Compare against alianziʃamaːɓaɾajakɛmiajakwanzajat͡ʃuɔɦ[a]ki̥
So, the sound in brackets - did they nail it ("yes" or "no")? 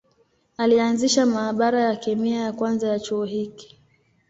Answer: no